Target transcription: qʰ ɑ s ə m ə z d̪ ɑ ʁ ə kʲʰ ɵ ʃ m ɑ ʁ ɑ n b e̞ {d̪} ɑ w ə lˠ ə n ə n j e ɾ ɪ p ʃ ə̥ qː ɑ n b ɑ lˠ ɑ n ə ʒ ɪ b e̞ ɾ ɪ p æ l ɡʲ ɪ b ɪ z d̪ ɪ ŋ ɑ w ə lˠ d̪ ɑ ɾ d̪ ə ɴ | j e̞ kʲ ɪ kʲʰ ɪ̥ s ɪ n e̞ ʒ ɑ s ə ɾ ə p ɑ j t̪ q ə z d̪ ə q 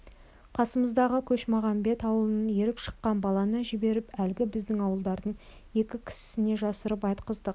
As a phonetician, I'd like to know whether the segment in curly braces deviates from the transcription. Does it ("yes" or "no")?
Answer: yes